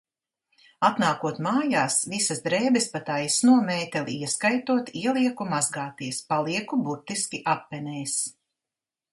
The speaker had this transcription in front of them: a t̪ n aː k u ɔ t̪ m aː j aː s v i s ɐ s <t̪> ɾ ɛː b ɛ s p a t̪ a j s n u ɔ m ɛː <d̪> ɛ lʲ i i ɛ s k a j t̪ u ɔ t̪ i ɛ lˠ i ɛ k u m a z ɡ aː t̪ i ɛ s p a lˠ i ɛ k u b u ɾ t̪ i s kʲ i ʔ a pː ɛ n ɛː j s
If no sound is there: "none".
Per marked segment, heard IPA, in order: d̪, t̪

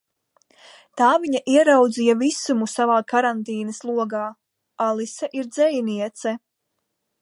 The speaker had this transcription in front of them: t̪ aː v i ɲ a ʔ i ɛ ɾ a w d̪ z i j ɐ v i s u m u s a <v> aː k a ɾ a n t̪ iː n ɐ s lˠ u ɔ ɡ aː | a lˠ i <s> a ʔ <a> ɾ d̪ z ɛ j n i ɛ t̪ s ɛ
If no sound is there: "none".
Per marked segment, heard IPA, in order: v, s, i

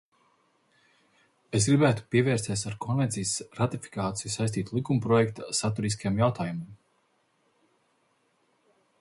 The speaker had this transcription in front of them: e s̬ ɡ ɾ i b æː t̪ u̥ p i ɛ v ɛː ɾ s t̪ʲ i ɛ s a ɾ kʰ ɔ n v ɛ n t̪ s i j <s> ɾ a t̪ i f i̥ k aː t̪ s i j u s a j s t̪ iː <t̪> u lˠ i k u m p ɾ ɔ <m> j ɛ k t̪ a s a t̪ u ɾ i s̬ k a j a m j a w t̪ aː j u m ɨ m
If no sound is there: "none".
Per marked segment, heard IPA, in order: s, t̪, none

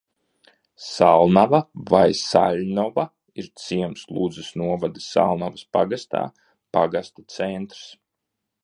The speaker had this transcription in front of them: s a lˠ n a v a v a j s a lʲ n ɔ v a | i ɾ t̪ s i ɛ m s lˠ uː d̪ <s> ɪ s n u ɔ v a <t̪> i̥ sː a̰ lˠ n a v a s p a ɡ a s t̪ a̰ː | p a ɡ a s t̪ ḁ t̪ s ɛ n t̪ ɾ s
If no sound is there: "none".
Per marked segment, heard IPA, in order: z, d̪

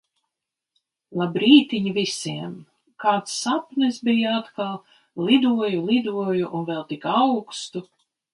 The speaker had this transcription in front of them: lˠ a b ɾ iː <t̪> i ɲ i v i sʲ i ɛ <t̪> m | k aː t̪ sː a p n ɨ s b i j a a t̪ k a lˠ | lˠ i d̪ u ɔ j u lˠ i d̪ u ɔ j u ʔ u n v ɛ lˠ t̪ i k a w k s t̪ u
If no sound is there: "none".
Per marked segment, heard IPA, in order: t̪, none

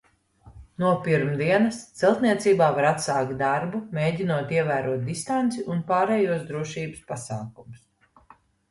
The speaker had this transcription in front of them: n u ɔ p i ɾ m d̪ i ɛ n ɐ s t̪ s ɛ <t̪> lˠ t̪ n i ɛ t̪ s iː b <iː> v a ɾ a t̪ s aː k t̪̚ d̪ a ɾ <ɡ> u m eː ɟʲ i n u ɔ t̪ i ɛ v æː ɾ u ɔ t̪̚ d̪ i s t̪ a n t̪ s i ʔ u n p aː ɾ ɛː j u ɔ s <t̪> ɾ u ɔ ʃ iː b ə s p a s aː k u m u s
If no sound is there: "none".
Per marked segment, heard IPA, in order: none, aː, b, d̪

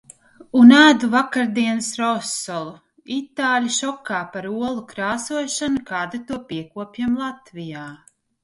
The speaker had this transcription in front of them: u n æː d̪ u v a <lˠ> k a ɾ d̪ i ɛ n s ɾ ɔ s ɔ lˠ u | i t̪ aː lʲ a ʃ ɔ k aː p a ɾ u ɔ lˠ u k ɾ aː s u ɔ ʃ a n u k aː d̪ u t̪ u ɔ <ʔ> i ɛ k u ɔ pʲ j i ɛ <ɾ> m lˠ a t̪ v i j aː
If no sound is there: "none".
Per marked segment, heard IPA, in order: none, p, none

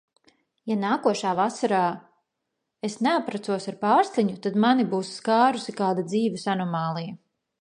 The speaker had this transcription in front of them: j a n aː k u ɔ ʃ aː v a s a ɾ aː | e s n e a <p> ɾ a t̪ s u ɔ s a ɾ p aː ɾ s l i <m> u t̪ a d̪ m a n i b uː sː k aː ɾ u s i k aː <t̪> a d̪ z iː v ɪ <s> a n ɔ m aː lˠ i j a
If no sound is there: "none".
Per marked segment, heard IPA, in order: p, ɲ, d̪, s

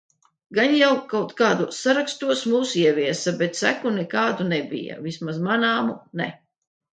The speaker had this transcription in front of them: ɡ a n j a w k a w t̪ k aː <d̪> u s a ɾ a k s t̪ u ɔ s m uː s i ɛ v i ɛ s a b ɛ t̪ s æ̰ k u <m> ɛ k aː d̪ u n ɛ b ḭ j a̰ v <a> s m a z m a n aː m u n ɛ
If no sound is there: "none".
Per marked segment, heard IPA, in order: d̪, n, i

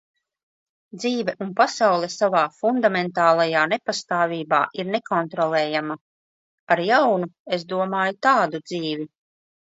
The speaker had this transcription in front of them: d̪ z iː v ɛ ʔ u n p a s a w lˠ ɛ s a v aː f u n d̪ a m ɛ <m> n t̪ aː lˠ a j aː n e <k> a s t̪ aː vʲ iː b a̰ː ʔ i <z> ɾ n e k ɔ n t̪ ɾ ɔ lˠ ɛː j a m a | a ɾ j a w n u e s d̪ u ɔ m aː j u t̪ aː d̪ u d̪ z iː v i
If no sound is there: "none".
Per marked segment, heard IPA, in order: none, p, none

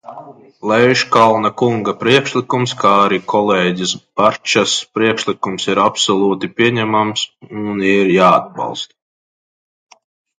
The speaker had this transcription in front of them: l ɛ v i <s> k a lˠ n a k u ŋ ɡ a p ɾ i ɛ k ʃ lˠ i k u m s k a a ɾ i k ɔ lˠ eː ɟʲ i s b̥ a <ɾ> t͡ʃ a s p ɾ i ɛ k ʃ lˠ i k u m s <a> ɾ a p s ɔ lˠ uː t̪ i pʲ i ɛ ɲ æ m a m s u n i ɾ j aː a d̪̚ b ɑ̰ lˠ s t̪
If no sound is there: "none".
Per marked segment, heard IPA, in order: ʃ, ɾ, i

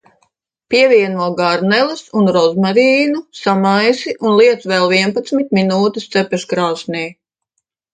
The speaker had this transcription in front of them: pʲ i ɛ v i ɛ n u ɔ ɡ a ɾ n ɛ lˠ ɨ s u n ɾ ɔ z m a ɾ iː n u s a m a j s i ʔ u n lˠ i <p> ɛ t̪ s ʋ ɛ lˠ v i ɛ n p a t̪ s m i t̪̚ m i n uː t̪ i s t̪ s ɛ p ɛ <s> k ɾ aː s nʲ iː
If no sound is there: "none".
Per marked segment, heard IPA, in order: none, ʃ

